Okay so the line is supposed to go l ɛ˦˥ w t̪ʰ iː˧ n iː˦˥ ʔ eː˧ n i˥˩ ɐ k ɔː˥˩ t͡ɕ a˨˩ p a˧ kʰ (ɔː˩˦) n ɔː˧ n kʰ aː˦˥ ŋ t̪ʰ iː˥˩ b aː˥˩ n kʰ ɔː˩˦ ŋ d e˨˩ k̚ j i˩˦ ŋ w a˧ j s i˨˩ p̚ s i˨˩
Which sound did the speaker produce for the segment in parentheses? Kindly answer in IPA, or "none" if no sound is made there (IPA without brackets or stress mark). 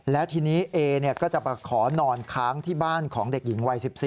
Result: ɔː˩˦